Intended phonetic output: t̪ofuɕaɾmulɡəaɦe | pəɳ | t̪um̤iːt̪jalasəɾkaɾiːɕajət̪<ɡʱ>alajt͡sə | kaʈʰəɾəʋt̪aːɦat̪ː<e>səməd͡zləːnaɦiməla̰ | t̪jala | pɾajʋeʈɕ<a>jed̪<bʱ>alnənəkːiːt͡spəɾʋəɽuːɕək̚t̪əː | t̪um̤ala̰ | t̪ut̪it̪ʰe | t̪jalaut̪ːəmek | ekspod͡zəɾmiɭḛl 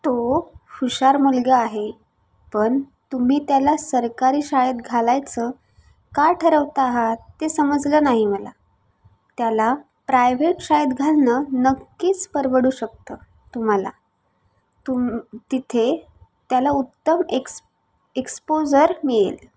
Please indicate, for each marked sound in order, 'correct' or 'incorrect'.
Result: correct, correct, correct, incorrect

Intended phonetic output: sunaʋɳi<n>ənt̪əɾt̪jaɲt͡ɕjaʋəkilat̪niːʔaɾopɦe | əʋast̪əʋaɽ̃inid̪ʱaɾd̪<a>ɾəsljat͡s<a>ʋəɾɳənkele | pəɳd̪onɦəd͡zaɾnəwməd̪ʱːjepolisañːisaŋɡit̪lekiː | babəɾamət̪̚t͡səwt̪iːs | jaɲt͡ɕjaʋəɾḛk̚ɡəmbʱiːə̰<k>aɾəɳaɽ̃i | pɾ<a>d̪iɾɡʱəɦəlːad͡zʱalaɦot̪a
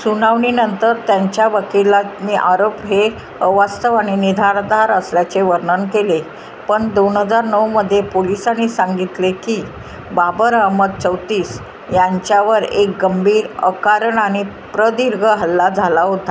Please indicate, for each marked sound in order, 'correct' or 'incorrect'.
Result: correct, correct, incorrect, correct, incorrect

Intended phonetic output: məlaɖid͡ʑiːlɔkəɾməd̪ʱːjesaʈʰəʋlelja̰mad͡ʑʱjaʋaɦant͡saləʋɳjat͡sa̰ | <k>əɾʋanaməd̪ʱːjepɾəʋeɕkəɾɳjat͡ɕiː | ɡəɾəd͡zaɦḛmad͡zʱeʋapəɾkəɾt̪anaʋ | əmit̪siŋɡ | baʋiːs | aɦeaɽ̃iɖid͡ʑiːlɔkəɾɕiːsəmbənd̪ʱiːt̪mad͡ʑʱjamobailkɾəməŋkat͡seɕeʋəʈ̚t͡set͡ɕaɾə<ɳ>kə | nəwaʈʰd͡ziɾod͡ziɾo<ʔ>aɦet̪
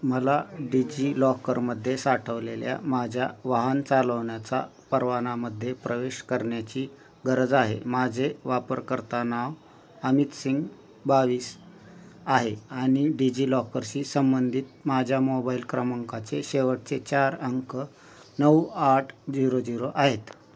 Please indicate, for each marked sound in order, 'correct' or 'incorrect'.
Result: incorrect, incorrect, correct

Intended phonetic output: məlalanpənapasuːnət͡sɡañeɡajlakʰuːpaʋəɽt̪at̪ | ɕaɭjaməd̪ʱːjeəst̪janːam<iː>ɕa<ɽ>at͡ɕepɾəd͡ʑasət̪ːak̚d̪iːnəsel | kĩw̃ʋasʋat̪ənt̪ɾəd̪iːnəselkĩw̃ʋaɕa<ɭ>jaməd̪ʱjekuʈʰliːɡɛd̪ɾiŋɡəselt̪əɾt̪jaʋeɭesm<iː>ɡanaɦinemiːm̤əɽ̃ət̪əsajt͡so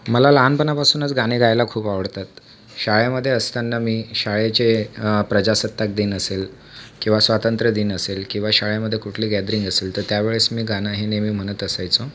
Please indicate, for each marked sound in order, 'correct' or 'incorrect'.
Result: correct, incorrect, correct, correct

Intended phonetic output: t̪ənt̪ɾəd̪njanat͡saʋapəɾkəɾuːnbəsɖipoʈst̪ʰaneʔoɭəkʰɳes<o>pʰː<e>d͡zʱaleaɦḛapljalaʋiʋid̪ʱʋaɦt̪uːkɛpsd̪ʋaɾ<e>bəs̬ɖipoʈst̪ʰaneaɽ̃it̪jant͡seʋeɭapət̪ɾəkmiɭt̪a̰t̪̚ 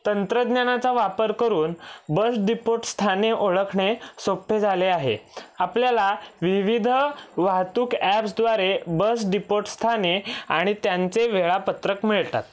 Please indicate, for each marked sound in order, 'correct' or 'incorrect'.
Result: correct, correct, correct

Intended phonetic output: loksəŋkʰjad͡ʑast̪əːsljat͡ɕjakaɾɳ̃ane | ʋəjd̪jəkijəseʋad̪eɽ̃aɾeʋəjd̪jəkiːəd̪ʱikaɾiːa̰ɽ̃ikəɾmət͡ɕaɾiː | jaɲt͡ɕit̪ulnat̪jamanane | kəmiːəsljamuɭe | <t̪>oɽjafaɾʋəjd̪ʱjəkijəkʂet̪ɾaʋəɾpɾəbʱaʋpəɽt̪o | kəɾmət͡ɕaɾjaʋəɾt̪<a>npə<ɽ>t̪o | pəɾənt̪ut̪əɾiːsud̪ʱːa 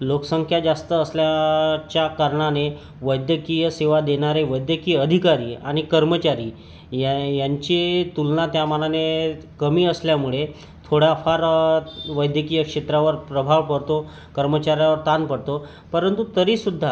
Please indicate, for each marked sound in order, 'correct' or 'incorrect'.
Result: incorrect, correct, correct

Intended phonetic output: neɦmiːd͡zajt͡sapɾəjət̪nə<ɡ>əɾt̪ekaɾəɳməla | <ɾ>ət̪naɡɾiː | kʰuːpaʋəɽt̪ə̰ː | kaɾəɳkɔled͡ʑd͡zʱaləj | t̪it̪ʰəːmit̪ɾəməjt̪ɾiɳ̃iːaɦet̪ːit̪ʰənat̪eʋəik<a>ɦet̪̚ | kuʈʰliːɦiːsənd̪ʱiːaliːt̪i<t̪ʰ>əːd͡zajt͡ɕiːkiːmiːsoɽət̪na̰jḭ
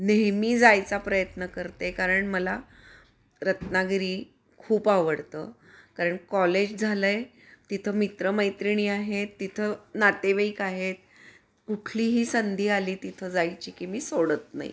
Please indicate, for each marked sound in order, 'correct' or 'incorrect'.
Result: incorrect, correct, correct, correct

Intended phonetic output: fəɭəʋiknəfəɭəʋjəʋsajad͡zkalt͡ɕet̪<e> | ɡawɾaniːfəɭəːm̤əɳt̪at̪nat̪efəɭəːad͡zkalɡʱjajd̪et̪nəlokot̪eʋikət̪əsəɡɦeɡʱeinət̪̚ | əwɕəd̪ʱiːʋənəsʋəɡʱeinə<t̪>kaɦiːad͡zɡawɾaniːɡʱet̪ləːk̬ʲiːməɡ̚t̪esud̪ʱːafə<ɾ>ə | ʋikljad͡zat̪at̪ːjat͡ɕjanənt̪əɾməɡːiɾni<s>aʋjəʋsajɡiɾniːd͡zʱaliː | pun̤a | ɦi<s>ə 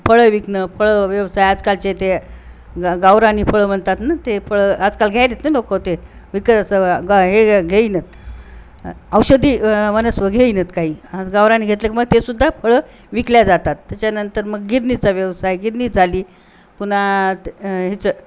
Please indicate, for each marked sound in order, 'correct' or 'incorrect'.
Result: correct, correct, incorrect, incorrect, incorrect

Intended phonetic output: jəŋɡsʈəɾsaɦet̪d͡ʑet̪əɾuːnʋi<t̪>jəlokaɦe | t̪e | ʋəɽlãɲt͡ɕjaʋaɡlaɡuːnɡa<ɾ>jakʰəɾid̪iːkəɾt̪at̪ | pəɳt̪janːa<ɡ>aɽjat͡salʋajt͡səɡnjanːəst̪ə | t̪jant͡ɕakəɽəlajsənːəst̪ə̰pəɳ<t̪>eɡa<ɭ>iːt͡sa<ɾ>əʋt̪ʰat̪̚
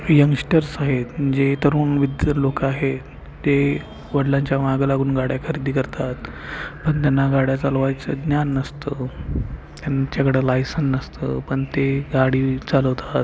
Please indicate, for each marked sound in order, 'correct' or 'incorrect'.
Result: incorrect, incorrect, correct, correct, incorrect, incorrect

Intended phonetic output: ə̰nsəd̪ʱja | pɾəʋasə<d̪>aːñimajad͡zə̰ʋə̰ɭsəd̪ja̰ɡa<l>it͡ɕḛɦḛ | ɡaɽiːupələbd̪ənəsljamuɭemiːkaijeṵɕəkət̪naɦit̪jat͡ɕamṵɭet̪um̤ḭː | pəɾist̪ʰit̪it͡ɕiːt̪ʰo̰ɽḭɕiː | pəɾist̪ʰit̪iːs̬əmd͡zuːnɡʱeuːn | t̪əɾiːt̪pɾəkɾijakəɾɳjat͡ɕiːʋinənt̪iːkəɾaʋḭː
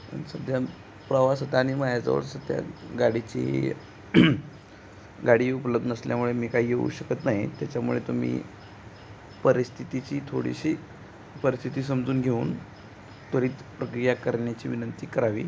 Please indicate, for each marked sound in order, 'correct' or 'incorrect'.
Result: incorrect, incorrect

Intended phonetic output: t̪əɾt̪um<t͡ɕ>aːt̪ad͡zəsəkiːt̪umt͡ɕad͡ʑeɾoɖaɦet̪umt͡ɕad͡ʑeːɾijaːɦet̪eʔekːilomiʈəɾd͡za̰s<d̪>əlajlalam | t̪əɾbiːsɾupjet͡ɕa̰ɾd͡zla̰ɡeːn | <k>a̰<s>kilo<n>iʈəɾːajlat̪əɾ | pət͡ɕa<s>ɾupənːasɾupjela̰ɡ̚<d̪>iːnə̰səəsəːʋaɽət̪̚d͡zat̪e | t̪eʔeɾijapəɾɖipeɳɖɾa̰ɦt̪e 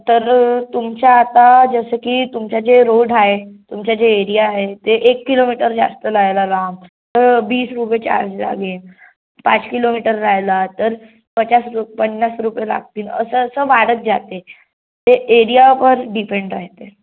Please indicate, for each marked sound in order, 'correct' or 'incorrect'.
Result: correct, incorrect, incorrect, incorrect, incorrect, correct, incorrect

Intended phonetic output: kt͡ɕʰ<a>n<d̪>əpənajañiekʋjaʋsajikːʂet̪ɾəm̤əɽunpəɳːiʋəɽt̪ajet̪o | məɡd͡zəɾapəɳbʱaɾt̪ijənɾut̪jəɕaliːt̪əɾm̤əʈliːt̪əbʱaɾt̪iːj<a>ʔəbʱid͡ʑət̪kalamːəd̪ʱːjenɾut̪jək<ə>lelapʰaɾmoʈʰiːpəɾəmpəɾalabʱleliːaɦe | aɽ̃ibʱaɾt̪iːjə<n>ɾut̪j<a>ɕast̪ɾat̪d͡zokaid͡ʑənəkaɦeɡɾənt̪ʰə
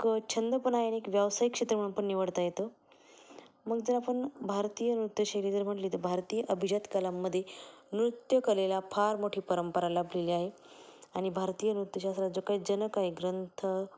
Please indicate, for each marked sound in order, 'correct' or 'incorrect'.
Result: incorrect, correct, incorrect, correct, correct, incorrect

